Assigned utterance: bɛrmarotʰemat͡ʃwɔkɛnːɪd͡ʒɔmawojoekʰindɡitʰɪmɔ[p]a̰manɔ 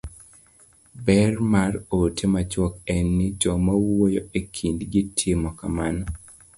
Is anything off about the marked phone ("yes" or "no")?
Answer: yes